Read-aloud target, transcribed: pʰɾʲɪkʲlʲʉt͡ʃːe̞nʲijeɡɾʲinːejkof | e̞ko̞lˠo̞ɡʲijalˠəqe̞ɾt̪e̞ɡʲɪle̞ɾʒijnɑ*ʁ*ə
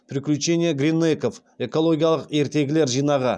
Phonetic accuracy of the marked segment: correct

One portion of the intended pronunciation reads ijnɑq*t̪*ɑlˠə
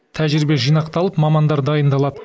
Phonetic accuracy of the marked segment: correct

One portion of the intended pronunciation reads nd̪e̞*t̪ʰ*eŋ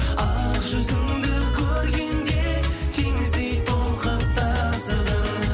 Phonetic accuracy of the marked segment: correct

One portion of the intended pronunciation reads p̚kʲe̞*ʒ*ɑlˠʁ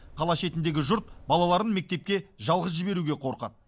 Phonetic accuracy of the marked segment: correct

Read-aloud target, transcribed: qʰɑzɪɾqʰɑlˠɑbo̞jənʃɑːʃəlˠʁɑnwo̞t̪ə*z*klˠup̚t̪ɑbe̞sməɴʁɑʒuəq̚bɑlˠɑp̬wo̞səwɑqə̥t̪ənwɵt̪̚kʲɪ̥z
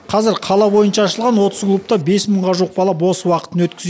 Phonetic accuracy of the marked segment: correct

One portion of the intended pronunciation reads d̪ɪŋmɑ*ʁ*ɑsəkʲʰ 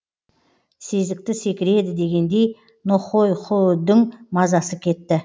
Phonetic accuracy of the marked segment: incorrect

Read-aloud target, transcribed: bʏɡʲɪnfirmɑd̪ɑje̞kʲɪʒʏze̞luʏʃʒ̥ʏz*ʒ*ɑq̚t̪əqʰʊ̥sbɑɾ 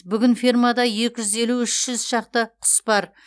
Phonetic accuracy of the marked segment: incorrect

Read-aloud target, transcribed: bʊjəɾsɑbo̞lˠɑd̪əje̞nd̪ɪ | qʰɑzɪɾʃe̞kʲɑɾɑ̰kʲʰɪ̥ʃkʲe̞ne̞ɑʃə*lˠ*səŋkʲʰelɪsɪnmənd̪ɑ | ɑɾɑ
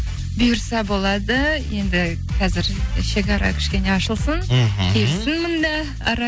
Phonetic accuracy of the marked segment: correct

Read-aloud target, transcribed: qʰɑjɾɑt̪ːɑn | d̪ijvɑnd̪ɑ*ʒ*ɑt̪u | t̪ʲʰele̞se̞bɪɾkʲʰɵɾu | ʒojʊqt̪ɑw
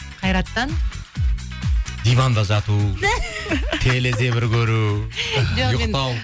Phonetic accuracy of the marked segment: correct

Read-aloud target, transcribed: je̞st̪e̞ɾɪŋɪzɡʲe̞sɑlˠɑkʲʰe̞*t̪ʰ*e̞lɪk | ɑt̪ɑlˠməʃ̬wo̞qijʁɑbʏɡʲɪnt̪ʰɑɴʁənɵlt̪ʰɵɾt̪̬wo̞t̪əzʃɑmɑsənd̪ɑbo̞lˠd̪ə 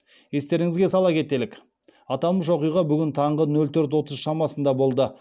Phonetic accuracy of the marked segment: incorrect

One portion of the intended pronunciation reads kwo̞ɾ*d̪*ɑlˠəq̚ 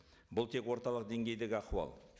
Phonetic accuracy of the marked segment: incorrect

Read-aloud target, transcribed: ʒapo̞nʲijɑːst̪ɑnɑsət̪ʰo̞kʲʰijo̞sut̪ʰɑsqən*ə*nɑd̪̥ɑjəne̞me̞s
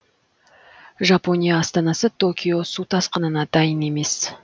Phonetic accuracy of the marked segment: correct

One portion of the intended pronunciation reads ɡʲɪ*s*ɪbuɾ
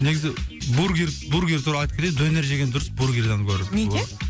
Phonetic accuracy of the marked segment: incorrect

